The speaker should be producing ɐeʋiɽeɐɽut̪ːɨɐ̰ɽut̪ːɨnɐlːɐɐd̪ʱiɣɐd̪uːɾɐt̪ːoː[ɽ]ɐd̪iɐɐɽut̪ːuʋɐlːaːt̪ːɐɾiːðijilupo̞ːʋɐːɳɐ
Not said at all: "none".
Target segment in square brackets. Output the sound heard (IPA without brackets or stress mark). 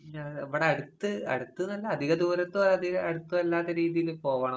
none